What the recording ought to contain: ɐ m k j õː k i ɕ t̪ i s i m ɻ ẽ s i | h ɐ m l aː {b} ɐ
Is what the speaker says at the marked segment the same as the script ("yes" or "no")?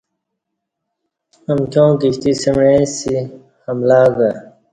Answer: no